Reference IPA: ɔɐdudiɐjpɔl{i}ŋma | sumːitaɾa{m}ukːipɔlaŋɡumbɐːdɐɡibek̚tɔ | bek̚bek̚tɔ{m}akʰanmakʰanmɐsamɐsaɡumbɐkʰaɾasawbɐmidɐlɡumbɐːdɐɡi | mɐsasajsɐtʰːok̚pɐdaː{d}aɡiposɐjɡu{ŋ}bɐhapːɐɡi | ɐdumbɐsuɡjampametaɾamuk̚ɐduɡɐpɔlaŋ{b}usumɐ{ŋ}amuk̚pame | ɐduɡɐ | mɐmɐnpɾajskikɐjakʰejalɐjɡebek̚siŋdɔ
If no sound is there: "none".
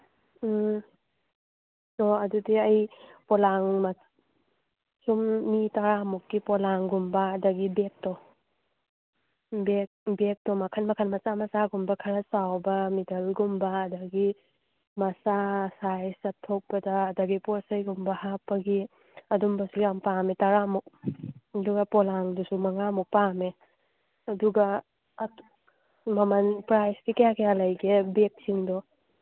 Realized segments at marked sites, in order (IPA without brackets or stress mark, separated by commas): a, m, m, d, m, d, ŋ